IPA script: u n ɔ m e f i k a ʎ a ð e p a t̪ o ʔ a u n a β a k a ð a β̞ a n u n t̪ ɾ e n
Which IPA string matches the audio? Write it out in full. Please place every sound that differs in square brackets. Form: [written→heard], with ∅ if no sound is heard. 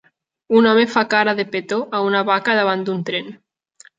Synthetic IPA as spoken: u n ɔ m e f [i→a] k a [ʎ→ɾ] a ð e p [a→e] t̪ o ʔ a u n a β a k a ð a β̞ a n u n t̪ ɾ e n